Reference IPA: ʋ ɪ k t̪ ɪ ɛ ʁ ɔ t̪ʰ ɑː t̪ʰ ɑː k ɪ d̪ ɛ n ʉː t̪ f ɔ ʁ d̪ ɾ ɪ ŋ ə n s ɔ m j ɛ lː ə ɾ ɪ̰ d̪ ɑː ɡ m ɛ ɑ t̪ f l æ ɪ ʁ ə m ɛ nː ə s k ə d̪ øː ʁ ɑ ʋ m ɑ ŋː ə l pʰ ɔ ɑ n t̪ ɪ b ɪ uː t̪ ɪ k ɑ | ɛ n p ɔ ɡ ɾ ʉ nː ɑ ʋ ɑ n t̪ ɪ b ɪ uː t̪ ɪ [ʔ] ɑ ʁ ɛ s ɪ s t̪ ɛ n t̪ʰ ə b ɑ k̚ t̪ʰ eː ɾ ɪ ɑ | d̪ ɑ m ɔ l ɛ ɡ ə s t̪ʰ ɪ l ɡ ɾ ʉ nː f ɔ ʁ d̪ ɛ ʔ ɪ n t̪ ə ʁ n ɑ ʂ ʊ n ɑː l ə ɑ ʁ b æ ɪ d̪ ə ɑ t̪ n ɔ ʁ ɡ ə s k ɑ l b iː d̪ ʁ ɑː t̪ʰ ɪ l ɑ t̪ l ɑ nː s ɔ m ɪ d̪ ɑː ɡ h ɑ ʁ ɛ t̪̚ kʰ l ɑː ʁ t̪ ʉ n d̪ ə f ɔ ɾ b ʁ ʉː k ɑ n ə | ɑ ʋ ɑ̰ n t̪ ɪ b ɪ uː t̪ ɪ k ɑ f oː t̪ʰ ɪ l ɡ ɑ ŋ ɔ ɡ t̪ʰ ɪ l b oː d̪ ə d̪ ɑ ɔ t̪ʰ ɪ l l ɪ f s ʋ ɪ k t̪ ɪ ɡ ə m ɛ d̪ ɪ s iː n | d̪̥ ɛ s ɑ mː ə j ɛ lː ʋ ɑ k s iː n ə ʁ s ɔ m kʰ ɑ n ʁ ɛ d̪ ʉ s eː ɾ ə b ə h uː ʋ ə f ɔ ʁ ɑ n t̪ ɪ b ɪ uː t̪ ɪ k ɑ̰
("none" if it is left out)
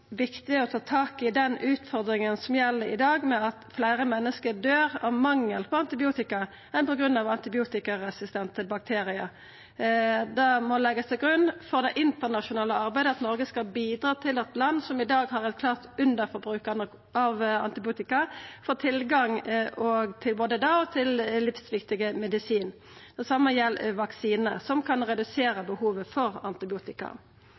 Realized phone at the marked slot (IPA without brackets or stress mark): k